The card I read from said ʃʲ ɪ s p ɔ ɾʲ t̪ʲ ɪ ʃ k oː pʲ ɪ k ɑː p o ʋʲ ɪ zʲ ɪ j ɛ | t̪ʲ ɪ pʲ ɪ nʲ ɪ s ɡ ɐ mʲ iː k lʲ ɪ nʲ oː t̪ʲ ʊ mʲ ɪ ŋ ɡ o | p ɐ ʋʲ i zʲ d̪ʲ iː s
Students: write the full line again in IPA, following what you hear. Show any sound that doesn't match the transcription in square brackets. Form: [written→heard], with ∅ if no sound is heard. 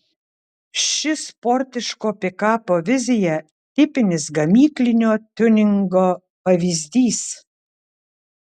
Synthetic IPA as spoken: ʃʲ ɪ s p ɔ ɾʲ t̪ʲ ɪ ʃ k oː pʲ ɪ k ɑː p o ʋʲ ɪ zʲ ɪ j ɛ | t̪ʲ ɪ pʲ ɪ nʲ ɪ s ɡ ɐ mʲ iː k lʲ ɪ nʲ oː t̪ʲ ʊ [mʲ→nʲ] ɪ ŋ ɡ o | p ɐ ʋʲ i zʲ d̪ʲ iː s